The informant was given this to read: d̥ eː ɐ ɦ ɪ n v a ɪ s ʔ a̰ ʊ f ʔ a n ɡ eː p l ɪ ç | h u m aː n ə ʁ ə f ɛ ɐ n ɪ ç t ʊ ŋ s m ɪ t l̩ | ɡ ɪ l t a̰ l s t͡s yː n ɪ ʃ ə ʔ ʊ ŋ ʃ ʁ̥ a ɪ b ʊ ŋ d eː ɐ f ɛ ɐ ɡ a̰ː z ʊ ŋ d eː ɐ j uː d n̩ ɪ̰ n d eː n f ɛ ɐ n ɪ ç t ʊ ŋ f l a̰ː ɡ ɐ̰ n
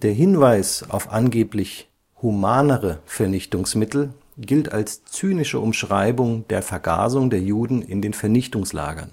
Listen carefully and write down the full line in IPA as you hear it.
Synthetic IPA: d̥ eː ɐ ɦ ɪ n v a ɪ s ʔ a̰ ʊ f ʔ a n ɡ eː p l ɪ ç | h u m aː n ə ʁ ə f ɛ ɐ n ɪ ç t ʊ ŋ s m ɪ t l̩ | ɡ ɪ l t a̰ l s t͡s yː n ɪ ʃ ə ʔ ʊ m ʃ ʁ̥ a ɪ b ʊ ŋ d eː ɐ f ɛ ɐ ɡ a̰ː z ʊ ŋ d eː ɐ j uː d n̩ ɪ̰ n d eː n f ɛ ɐ n ɪ ç t ʊ ŋ s l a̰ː ɡ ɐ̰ n

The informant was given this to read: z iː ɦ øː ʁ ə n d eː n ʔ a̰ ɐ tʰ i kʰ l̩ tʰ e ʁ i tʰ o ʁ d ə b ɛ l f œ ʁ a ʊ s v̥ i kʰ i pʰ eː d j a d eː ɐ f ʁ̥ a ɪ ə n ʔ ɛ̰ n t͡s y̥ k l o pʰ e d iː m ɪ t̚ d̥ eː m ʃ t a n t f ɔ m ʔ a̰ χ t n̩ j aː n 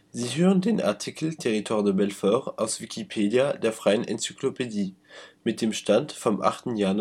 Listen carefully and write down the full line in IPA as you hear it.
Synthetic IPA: z iː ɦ øː ʁ ə n d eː n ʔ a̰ ɐ tʰ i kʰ l̩ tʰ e ʁ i tʰ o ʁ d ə b ɛ l f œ ʁ a ʊ s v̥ i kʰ i pʰ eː d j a d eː ɐ f ʁ̥ a ɪ ə n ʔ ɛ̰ n t͡s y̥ k l o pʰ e d iː m ɪ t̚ d̥ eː m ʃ t a n t f ɔ m ʔ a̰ χ t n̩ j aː n

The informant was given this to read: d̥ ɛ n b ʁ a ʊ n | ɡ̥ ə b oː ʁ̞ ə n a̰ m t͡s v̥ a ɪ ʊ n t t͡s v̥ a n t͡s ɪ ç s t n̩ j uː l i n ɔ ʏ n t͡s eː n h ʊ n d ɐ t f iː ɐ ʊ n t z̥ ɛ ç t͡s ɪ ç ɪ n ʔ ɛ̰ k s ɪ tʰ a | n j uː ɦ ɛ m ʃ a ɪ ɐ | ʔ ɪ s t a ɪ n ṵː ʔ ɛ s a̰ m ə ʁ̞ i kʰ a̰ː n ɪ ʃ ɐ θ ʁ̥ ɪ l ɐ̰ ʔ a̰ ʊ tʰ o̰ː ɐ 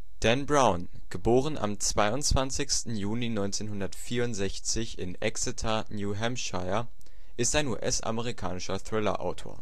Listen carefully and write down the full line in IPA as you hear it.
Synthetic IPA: d̥ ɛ n b ʁ a ʊ n | ɡ̥ ə b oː ʁ̞ ə n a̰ m t͡s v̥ a ɪ ʊ n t t͡s v̥ a n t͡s ɪ ç s t n̩ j uː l i n ɔ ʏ n t͡s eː n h ʊ n d ɐ t f iː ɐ ʊ n t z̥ ɛ ç t͡s ɪ ç ɪ n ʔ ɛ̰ k s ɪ tʰ a | n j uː ɦ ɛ m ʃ a ɪ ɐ | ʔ ɪ s t a ɪ n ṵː ʔ ɛ s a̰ m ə ʁ̞ i kʰ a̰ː n ɪ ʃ ɐ θ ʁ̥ ɪ l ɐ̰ ʔ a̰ ʊ tʰ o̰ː ɐ

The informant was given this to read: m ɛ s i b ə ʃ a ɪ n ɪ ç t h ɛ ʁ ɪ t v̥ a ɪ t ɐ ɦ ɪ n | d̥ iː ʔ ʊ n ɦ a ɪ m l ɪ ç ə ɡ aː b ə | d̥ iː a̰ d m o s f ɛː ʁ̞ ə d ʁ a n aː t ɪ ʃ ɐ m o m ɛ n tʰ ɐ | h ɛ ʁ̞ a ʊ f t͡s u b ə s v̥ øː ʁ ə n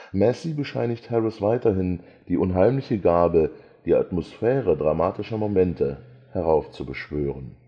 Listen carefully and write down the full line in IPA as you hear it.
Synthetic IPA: m ɛ s i b ə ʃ a ɪ n ɪ ç t h ɛ ʁ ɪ s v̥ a ɪ t ɐ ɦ ɪ n | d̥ iː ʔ ʊ n ɦ a ɪ m l ɪ ç ə ɡ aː b ə | d̥ iː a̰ t m o s f ɛː ʁ̞ ə d ʁ a m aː t ɪ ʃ ɐ m o m ɛ n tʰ ə | h ɛ ʁ̞ a ʊ f t͡s u b ə ʃ v̥ øː ʁ ə n

